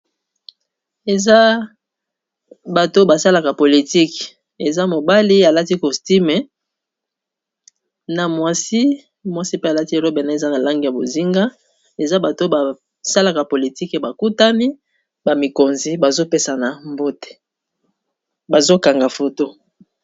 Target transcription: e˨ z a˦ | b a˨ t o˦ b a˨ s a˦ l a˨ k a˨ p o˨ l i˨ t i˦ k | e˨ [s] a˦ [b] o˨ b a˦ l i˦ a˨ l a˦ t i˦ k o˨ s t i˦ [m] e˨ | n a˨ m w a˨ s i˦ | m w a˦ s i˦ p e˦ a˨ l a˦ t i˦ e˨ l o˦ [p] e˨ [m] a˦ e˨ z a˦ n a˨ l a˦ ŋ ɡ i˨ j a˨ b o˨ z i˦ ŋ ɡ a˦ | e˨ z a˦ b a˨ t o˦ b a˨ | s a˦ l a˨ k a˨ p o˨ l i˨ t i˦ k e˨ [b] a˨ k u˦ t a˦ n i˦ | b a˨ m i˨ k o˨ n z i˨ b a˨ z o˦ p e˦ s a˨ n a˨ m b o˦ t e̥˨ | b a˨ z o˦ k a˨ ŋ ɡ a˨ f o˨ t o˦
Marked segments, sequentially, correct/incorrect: incorrect: z, incorrect: m, correct, incorrect: b, incorrect: n, correct

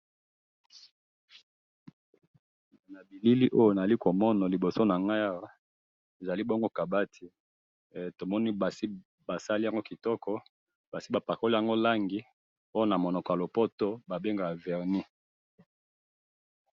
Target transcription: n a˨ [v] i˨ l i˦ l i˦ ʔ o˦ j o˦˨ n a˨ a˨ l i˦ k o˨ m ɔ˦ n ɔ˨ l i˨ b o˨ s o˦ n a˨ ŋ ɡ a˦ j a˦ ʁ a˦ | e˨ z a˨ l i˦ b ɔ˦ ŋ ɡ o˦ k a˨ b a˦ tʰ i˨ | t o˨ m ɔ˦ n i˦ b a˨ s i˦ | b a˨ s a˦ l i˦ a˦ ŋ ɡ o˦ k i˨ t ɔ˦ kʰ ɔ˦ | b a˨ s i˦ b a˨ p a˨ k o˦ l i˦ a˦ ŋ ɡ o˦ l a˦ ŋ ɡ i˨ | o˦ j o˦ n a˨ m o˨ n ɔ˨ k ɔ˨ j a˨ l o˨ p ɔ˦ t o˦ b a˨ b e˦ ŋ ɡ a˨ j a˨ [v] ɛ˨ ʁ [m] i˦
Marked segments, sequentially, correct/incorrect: incorrect: b, correct, incorrect: n

